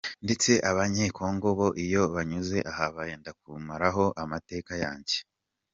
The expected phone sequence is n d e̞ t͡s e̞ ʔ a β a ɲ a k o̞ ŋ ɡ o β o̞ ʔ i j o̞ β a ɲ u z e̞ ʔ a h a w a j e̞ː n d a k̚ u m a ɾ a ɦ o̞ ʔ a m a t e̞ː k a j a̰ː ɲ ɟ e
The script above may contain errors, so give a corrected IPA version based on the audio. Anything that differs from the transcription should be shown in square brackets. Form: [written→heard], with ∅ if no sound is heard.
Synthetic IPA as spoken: n d e̞ t͡s e̞ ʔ a β a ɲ [a→e] k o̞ ŋ ɡ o β o̞ ʔ i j o̞ β a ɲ u z e̞ ʔ a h a [w→β] a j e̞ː n d a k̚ u m a ɾ a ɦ o̞ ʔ a m a t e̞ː k a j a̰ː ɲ ɟ e